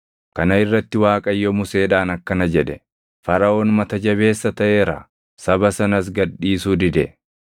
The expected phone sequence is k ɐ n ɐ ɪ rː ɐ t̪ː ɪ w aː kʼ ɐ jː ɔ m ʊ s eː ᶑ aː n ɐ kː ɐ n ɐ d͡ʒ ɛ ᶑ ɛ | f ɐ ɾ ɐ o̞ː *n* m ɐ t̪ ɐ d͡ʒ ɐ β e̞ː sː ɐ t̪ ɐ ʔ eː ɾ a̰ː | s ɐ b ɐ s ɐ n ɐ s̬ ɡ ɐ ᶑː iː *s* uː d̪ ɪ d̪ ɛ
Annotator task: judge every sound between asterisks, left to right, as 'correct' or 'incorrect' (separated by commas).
correct, correct